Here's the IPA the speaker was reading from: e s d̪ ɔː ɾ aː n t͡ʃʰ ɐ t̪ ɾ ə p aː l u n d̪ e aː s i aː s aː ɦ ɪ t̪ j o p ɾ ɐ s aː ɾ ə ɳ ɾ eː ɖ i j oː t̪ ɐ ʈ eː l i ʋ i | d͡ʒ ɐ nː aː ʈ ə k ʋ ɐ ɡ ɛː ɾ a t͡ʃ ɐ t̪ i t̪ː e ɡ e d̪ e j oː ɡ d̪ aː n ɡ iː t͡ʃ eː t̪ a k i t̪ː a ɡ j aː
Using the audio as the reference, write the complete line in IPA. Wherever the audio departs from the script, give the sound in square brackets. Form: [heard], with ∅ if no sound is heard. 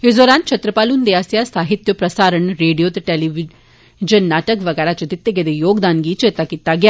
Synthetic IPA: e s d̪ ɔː ɾ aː n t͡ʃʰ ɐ t̪ ɾ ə p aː l u n d̪ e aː s [j] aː s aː ɦ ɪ t̪ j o p ɾ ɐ s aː ɾ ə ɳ ɾ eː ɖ i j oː t̪ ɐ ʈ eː l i ʋ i | d͡ʒ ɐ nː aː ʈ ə k ʋ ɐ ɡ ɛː ɾ a t͡ʃ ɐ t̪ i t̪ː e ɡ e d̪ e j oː ɡ d̪ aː n ɡ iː t͡ʃ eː t̪ a k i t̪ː a ɡ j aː

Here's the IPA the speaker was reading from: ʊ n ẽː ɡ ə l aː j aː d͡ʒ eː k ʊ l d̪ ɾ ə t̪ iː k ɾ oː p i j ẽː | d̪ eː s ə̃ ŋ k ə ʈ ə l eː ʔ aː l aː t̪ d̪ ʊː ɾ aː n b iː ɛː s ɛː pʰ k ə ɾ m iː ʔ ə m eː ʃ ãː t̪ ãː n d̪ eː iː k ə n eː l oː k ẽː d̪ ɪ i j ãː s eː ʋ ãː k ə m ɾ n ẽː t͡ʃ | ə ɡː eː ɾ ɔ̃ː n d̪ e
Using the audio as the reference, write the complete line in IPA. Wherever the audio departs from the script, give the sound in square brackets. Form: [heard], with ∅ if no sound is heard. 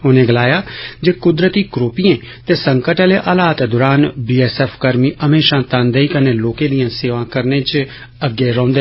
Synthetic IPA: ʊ n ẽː ɡ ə l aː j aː d͡ʒ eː k ʊ [∅] d̪ ɾ ə t̪ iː k ɾ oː p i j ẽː | [t̪] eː s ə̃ ŋ k ə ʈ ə l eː ʔ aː l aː t̪ d̪ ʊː ɾ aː n b iː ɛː s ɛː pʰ k ə ɾ m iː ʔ ə m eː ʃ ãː t̪ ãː n d̪ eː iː k ə n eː l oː k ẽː d̪ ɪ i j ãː s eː ʋ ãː k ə [∅] ɾ n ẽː t͡ʃ | ə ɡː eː ɾ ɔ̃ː n d̪ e

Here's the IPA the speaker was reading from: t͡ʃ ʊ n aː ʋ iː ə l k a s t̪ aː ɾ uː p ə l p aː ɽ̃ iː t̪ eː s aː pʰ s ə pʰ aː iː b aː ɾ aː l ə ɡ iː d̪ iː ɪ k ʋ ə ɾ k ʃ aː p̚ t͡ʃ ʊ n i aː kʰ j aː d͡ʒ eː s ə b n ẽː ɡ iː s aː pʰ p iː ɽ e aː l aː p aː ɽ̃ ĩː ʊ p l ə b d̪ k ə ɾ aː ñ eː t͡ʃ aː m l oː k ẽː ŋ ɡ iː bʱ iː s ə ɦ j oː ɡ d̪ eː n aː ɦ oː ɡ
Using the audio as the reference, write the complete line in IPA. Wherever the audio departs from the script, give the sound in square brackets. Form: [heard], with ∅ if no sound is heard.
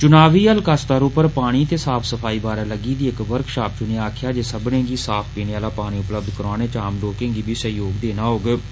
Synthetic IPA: t͡ʃ ʊ n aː ʋ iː ə l k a s t̪ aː ɾ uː p ə [ɾ] p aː ɽ̃ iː t̪ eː s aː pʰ s ə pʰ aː iː b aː ɾ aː l ə ɡ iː d̪ iː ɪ k ʋ ə ɾ k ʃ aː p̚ t͡ʃ ʊ n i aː kʰ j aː d͡ʒ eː s ə b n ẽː ɡ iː s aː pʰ p iː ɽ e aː l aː p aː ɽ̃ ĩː ʊ p l ə b d̪ k ə ɾ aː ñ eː t͡ʃ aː m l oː k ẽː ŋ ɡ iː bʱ iː s ə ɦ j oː ɡ d̪ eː n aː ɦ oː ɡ

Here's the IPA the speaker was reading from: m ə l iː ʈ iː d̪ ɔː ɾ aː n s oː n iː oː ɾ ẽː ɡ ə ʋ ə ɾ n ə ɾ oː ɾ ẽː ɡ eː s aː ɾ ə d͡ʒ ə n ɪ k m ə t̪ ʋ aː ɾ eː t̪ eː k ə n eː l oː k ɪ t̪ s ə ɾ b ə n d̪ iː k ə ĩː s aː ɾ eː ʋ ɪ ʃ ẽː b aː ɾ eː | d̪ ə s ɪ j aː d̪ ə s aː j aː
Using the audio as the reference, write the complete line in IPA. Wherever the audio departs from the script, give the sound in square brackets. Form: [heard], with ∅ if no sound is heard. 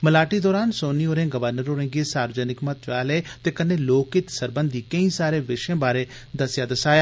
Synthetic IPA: m ə l [aː] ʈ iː d̪ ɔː ɾ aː n s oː n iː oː ɾ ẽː ɡ ə ʋ ə ɾ n ə ɾ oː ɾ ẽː ɡ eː s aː ɾ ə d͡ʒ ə n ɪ k m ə t̪ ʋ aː [l] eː t̪ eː k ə n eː l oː k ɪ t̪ s ə ɾ b ə n d̪ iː k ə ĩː s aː ɾ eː ʋ ɪ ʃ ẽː b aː ɾ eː | d̪ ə s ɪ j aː d̪ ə s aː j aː

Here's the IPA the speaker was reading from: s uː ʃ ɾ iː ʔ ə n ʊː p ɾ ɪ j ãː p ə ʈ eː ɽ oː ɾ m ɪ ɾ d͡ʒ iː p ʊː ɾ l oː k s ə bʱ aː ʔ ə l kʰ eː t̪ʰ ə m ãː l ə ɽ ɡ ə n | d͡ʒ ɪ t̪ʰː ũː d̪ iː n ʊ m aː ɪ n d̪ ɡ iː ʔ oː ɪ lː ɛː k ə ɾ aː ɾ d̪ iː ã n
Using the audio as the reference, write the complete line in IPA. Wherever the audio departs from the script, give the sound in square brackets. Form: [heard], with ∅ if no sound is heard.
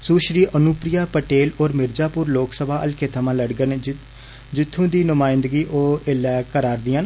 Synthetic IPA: s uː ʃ ɾ iː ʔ ə n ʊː p ɾ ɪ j [aː] p ə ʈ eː [l] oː ɾ m ɪ ɾ d͡ʒ [aː] p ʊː ɾ l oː k s ə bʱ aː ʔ ə l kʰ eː t̪ʰ ə m ãː l ə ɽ ɡ ə n | d͡ʒ ɪ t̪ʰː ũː d̪ iː n ʊ m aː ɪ n d̪ ɡ iː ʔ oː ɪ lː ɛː k ə ɾ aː ɾ d̪ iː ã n

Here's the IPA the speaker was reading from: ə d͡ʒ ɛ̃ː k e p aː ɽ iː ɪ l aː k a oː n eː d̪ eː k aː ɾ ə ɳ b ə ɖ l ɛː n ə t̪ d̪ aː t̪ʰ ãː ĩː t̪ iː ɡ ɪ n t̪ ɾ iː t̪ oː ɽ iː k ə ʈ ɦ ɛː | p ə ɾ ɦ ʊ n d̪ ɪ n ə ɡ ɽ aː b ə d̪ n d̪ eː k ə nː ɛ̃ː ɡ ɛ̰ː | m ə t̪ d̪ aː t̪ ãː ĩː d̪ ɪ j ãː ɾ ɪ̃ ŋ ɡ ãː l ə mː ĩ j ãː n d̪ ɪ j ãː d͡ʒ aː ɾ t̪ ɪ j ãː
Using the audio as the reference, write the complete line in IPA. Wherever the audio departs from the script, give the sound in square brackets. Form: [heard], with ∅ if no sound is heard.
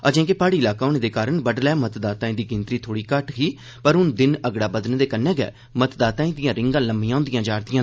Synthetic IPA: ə d͡ʒ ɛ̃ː k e p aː ɽ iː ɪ l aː k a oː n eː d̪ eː k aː ɾ ə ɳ b ə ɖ l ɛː [m] ə t̪ d̪ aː [t̪] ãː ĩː [d̪] iː ɡ ɪ n t̪ ɾ iː [t̪ʰ] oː ɽ iː k ə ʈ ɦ [iː] | p ə ɾ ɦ ʊ n d̪ ɪ n ə ɡ ɽ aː b ə d̪ n d̪ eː k ə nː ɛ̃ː ɡ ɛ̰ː | m ə t̪ d̪ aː t̪ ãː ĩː d̪ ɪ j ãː ɾ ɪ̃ ŋ ɡ ãː l ə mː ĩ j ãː n d̪ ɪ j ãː d͡ʒ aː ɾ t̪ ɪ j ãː

